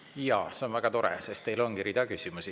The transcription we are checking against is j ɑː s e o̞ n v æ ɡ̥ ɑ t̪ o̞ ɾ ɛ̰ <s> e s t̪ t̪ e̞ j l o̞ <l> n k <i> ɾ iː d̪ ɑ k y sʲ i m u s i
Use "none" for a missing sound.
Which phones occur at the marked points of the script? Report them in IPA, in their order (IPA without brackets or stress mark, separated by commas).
s, none, i